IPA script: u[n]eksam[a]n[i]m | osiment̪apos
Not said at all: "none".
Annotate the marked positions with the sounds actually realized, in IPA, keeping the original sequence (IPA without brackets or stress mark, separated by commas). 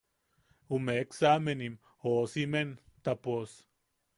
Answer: m, e, i